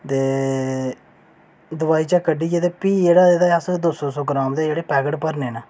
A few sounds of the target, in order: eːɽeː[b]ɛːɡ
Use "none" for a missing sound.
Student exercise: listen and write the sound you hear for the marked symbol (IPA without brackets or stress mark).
p